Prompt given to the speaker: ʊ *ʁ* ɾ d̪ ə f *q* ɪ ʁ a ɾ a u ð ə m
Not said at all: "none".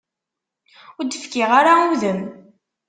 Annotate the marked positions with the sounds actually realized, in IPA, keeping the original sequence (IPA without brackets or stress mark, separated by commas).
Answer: none, k